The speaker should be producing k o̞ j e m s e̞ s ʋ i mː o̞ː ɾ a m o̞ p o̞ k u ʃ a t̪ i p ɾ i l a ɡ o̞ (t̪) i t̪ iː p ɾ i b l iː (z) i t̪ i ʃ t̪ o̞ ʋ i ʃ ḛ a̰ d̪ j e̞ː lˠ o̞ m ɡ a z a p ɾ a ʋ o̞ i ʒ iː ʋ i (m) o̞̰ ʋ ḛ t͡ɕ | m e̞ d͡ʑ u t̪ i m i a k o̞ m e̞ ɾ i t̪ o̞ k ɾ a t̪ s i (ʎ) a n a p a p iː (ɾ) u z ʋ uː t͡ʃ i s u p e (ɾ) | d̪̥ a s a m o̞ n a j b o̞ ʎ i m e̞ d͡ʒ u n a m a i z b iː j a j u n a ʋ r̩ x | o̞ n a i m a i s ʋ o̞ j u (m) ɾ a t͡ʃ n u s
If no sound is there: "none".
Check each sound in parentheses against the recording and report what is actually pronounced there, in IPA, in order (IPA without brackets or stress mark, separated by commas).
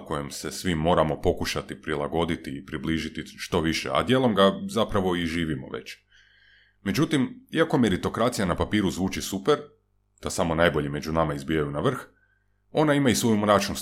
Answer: d̪, ʒ, m, j, ɾ, ɾ, m